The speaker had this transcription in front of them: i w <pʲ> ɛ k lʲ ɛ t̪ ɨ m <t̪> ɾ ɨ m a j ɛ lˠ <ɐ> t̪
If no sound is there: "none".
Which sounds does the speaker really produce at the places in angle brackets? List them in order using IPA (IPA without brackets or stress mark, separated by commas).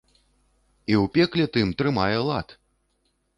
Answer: pʲ, t̪, a